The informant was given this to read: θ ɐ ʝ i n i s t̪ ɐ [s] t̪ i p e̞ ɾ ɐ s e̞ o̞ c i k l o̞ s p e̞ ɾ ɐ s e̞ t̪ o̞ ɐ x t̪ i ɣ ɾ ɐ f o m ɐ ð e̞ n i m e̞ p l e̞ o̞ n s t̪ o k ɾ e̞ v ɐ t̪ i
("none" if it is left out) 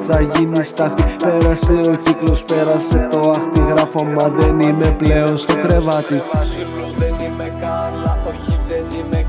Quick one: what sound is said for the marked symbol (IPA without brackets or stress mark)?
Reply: x